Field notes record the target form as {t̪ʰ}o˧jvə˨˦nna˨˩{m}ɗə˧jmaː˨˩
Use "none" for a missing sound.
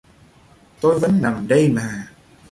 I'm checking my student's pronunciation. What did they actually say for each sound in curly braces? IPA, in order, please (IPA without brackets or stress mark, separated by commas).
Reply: t̪, m